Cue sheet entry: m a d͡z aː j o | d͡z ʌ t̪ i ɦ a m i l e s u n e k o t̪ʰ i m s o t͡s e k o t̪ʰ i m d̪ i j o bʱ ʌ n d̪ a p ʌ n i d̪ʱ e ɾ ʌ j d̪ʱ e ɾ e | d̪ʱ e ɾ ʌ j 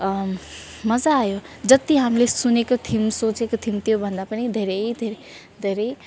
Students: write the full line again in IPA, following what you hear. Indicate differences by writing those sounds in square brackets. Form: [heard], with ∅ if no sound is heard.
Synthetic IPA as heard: m [ʌ] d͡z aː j o | d͡z ʌ t̪ i ɦ a m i l e s u n e k o t̪ʰ i m s o t͡s e k o t̪ʰ i m [t̪] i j o bʱ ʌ n d̪ a p ʌ n i d̪ʱ e ɾ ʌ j d̪ʱ e ɾ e | d̪ʱ e ɾ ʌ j